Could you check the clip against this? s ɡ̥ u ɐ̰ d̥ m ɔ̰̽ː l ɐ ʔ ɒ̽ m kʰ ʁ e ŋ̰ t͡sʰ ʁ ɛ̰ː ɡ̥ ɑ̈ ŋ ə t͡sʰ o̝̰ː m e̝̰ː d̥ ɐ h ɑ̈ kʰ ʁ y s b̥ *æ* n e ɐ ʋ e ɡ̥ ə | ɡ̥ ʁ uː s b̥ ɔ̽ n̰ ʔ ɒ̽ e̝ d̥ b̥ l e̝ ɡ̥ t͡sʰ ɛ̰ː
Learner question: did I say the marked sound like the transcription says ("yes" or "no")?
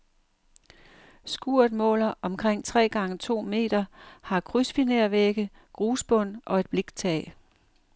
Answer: no